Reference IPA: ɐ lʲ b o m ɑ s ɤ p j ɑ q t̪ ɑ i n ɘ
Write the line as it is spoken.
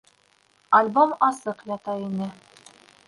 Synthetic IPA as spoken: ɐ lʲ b o m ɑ s ɤ q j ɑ t̪ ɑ i n ɘ